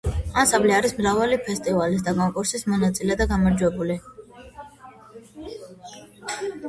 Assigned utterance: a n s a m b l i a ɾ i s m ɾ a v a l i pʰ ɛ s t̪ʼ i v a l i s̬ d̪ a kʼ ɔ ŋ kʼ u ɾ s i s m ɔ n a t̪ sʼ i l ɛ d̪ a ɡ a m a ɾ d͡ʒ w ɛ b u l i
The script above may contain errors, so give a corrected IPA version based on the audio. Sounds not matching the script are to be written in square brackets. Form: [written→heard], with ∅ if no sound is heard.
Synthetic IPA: a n s a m b l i a ɾ i s m ɾ a v a l i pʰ ɛ s t̪ʼ i v a l i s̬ d̪ a kʼ ɔ ŋ kʼ u ɾ s i s m ɔ n a t̪ sʼ i l ɛ d̪ a ɡ a m a ɾ d͡ʒ w ɛ b u l i